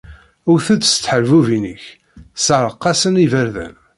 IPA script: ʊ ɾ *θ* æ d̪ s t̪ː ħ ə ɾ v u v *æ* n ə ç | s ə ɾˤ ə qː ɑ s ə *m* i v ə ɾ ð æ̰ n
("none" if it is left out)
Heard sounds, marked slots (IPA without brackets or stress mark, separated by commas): θ, i, n